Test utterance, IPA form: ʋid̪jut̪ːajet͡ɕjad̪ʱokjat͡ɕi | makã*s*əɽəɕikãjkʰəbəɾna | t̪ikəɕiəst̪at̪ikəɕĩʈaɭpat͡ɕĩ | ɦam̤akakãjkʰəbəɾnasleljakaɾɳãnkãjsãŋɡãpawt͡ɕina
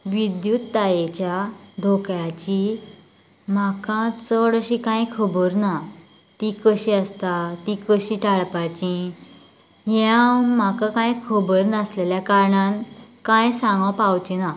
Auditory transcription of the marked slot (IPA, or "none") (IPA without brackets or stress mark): t͡s